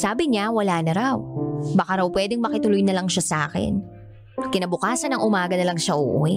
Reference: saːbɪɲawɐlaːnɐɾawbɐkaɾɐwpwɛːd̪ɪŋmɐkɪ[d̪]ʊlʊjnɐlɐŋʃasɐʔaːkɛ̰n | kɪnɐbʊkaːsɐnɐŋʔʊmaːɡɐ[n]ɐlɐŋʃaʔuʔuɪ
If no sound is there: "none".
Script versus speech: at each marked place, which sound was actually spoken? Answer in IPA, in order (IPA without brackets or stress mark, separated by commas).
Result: t̪, n